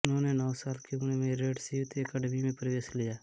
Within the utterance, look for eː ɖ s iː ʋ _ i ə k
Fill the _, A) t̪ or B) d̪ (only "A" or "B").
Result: A